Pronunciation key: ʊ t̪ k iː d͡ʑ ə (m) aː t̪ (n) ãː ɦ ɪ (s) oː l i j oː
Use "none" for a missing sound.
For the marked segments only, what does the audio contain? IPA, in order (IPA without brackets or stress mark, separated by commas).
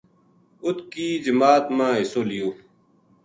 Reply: m, m, s